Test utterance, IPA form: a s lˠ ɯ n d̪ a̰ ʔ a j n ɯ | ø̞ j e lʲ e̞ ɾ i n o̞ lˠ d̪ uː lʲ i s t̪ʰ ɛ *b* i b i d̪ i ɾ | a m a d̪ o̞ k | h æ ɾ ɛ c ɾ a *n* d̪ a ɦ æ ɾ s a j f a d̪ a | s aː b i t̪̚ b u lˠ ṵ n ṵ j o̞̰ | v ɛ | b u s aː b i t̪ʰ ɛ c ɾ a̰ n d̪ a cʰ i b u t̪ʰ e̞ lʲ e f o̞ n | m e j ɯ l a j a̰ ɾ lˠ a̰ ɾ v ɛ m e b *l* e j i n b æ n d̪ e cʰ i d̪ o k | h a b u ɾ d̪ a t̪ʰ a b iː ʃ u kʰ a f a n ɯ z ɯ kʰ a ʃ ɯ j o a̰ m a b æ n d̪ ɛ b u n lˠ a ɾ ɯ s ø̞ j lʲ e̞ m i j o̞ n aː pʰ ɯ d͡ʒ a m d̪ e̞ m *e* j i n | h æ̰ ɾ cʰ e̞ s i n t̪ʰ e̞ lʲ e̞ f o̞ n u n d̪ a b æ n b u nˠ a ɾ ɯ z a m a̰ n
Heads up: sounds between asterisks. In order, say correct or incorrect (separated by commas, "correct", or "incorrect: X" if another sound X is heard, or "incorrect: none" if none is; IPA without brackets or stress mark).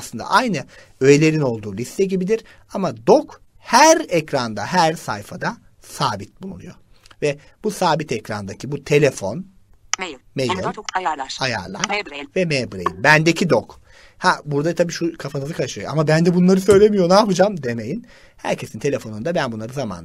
incorrect: ɟ, correct, incorrect: ɾ, correct